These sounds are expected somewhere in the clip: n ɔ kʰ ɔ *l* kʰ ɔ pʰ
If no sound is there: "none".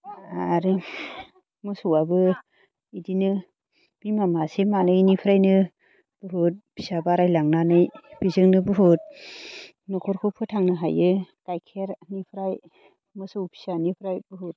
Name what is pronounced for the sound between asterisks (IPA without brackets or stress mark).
ɾ